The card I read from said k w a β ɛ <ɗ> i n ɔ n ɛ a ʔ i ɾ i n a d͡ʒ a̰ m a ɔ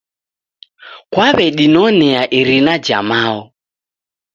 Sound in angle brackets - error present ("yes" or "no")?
no